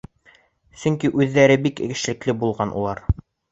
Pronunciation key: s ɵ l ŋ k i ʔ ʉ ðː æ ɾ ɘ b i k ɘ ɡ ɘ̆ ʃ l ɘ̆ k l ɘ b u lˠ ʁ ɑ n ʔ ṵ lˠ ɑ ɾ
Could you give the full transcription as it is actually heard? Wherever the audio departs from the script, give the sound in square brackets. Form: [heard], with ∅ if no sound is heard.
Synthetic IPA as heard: s ɵ [∅] ŋ k i ʔ ʉ ðː æ ɾ ɘ b i k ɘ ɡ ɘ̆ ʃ l ɘ̆ k l ɘ b u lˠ ʁ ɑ n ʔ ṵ lˠ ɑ ɾ

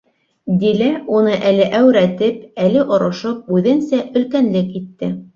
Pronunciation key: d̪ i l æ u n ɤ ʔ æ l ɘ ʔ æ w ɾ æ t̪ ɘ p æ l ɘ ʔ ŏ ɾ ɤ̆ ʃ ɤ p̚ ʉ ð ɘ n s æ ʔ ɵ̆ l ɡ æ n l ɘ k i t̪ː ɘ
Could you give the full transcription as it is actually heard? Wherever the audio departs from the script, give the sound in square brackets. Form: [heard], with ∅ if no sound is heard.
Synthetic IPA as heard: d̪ i l æ u n ɤ ʔ æ l ɘ ʔ æ w ɾ æ t̪ ɘ p æ l ɘ ʔ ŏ ɾ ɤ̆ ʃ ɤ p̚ ʉ ð ɘ n s æ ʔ ɵ̆ l [k] æ n l ɘ k i t̪ː ɘ

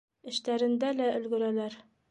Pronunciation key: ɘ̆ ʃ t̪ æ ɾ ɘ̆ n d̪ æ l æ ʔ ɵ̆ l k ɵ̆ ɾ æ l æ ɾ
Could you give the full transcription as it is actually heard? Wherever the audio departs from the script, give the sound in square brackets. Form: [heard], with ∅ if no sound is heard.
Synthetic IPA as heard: ɘ̆ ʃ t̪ æ ɾ ɘ̆ n d̪ æ l æ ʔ ɵ̆ l [ɡ] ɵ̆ ɾ æ l æ ɾ

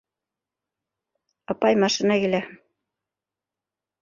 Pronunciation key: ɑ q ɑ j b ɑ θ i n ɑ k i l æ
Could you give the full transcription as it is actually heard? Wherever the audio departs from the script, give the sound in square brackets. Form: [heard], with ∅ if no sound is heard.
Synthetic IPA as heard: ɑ [p] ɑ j [m] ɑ [ʃ] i n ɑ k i l æ

